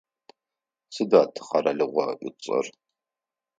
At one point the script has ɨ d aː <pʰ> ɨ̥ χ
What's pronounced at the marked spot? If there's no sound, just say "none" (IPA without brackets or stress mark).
tʰ